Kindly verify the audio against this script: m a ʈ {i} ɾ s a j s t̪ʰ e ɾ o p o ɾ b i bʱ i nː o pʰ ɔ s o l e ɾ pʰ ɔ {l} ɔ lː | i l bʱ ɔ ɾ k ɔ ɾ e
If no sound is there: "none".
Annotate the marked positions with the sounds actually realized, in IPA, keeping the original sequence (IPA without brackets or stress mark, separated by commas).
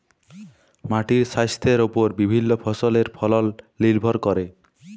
i, l